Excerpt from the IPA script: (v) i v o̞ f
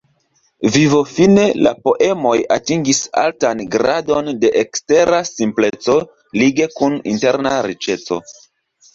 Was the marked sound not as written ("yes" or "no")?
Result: no